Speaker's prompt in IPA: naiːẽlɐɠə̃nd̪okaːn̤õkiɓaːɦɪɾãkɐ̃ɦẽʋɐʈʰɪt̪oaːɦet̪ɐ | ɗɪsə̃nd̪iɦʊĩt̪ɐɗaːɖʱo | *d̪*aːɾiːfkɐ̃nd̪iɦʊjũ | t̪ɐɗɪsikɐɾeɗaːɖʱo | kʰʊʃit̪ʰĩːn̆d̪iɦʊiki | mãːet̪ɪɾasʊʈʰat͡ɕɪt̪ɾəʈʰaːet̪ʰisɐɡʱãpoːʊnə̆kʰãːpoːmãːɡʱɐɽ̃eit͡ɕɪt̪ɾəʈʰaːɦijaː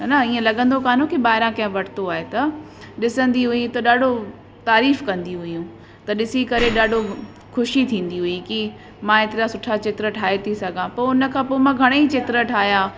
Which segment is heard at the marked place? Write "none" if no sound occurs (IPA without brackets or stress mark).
t̪